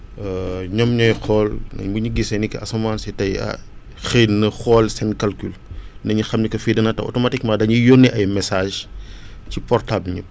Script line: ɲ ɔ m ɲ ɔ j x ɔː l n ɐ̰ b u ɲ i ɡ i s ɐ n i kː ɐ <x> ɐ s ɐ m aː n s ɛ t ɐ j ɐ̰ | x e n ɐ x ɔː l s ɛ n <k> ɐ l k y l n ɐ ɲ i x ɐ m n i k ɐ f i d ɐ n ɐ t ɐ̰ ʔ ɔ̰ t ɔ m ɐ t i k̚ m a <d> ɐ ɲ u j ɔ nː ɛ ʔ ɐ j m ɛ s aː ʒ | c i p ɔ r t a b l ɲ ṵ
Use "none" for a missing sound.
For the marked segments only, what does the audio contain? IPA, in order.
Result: none, k, d

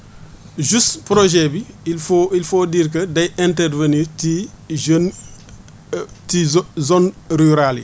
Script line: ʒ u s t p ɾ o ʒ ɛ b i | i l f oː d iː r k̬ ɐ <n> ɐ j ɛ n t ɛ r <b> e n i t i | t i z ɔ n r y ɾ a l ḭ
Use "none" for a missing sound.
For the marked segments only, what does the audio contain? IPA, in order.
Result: d, v

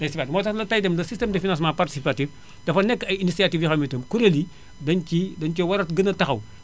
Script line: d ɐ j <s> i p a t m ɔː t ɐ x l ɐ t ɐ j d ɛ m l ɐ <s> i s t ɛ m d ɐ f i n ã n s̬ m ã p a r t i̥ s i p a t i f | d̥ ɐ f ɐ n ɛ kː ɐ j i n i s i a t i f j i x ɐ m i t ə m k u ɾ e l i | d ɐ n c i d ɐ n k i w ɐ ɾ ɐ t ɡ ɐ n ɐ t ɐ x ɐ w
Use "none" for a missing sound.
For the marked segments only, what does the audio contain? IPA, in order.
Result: s, s

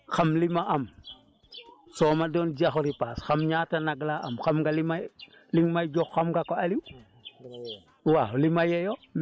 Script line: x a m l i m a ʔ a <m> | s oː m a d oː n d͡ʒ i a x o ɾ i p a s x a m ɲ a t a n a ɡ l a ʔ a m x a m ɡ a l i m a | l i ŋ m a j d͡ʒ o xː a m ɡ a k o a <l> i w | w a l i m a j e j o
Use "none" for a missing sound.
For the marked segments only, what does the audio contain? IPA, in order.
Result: m, l

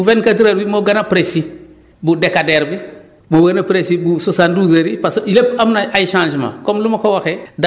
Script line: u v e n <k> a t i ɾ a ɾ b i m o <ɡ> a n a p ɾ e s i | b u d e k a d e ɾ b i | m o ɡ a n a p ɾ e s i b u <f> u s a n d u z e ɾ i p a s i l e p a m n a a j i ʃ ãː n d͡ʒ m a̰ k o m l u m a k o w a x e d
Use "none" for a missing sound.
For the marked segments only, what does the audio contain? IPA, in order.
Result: k, ɡ, s

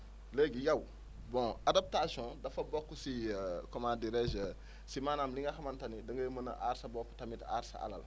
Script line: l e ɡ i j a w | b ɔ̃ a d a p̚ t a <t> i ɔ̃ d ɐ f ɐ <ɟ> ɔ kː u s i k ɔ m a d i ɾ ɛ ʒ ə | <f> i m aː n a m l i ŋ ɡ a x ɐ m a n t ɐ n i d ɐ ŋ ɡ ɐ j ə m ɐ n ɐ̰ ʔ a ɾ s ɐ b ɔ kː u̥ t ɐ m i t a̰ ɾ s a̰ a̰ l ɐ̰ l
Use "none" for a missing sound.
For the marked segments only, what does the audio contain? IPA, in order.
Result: s, b, s

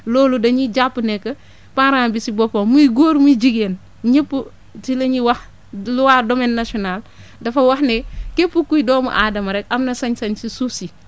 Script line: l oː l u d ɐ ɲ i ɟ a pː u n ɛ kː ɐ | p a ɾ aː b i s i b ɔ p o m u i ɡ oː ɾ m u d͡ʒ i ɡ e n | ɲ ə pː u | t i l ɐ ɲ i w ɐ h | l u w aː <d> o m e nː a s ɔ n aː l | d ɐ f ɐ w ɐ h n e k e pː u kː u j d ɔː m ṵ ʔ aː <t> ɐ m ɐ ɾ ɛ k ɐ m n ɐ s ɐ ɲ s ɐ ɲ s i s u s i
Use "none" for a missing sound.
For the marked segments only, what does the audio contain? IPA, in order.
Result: d, d

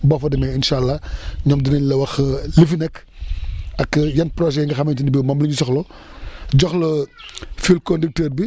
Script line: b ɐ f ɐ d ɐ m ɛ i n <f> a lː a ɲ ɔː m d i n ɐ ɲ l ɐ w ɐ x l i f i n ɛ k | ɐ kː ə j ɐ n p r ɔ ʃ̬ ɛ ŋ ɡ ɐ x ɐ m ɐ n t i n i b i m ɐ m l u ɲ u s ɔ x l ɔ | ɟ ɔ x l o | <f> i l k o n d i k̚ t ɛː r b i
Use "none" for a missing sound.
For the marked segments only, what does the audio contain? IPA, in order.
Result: ʃ, f

